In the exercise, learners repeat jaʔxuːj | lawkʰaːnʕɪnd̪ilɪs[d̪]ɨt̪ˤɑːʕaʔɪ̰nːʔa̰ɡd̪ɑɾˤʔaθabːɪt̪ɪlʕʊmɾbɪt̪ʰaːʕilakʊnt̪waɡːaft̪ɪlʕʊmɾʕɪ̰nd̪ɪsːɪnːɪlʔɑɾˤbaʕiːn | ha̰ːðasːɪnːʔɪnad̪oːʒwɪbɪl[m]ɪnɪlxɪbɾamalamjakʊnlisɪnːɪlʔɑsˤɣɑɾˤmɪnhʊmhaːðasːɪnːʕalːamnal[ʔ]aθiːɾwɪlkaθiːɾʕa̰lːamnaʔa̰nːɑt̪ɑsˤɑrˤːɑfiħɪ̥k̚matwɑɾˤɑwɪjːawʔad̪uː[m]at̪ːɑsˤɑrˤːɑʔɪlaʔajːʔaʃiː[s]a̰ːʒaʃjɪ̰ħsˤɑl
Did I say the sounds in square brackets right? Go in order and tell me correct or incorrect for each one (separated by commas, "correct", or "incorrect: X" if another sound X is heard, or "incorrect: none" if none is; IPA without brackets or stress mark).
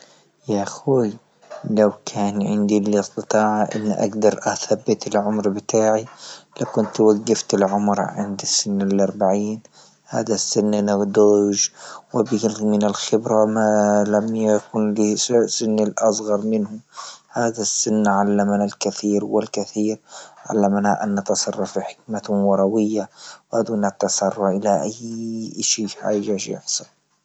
incorrect: t̪, correct, incorrect: k, incorrect: n, incorrect: ħ